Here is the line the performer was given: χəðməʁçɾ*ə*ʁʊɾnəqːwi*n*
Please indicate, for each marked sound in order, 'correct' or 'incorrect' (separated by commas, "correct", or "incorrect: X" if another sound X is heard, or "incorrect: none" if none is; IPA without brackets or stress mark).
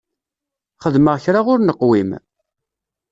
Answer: incorrect: a, incorrect: m